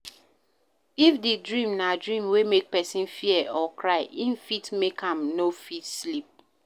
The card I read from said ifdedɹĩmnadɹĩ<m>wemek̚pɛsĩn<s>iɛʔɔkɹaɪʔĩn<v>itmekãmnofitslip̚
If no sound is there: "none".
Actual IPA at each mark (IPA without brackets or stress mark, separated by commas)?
m, f, f